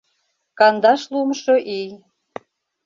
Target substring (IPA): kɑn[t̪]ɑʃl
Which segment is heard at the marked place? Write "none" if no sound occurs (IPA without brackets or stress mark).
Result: d̪